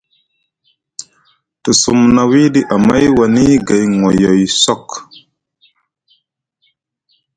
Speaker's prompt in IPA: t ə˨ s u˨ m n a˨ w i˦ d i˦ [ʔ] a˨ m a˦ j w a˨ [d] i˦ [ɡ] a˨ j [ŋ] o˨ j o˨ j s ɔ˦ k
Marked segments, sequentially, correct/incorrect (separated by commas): correct, incorrect, correct, correct